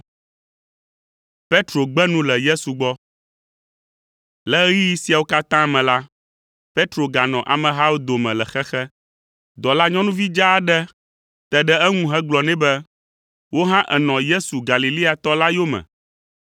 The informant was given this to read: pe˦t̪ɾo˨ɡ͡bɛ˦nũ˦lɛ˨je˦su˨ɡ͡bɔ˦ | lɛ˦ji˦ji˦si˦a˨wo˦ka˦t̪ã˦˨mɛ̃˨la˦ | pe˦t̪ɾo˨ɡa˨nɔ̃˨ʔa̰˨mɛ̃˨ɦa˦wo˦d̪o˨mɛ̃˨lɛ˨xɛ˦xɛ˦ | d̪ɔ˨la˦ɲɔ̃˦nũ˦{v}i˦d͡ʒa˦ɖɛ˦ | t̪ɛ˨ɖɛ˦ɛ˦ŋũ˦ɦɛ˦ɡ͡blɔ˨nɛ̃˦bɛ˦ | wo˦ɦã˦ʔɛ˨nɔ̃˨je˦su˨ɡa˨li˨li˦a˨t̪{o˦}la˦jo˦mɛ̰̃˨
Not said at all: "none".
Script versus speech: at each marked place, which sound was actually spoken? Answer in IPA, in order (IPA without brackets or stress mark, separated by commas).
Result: v, ɔ˦